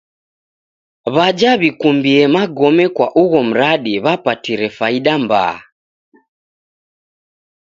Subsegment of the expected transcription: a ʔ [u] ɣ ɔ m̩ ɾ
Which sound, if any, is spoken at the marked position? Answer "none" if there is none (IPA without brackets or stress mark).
u